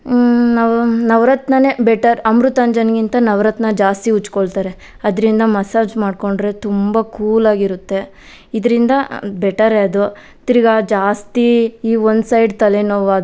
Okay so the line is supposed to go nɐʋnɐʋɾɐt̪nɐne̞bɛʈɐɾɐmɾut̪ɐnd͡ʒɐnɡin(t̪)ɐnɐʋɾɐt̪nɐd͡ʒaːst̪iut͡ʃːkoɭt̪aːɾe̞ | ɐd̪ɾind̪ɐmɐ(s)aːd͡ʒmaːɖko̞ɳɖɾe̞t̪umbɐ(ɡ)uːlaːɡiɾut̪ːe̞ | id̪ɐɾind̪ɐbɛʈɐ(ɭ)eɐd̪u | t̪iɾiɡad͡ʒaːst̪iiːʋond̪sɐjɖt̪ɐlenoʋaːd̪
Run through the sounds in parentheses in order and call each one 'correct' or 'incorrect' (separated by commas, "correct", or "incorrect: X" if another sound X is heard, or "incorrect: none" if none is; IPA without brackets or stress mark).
correct, correct, incorrect: k, incorrect: ɾ